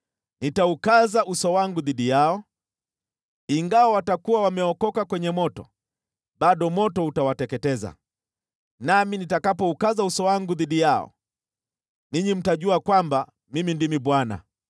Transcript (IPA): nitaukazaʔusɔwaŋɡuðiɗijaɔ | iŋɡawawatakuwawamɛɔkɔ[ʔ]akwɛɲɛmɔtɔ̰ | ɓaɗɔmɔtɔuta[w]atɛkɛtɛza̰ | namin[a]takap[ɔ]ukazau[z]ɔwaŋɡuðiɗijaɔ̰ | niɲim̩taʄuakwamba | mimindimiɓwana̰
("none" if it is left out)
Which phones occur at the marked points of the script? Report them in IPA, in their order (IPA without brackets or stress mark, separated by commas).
k, w, i, ɔ, s